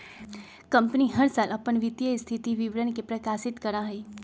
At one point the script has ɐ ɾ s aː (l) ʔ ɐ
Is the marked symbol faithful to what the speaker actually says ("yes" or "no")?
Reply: yes